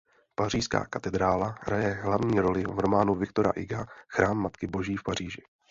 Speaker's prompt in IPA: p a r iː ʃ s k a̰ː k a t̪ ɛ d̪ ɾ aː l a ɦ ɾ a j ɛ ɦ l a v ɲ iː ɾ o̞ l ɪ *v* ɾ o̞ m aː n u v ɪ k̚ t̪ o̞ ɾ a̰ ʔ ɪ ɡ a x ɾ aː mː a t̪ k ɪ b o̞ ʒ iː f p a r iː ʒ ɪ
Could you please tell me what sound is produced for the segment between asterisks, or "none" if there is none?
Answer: v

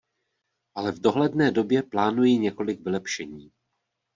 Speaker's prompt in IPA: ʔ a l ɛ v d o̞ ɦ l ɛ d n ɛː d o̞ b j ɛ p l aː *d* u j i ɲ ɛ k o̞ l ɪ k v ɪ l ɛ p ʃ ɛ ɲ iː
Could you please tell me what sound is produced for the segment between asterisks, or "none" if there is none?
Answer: n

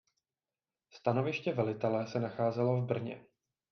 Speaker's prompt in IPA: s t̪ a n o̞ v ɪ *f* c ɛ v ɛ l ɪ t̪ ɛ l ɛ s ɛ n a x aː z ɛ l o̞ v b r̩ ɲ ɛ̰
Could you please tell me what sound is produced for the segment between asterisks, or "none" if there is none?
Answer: ʃ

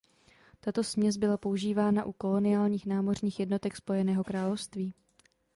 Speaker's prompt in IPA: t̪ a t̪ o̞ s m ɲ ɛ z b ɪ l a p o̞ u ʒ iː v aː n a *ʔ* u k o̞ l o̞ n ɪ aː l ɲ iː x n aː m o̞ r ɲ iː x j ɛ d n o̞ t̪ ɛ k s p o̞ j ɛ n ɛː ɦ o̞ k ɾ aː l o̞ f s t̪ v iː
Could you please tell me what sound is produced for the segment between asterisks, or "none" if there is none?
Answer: ʔ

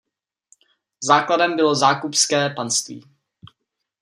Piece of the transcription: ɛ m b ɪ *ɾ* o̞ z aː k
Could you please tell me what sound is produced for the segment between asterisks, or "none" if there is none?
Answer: l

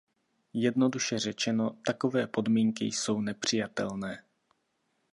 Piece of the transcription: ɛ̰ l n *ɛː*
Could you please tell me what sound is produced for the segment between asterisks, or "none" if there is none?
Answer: ɛː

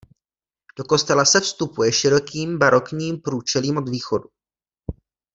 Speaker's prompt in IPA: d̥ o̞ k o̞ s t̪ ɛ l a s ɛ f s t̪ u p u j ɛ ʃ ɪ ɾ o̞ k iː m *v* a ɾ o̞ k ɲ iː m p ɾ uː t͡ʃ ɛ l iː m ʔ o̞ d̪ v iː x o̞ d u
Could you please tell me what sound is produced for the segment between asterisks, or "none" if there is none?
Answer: b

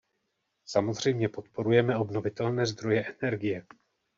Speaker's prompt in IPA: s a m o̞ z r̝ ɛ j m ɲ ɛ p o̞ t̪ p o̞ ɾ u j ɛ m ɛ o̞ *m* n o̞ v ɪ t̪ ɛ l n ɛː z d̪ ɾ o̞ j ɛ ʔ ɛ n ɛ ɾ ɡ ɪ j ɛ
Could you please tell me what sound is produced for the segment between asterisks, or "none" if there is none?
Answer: b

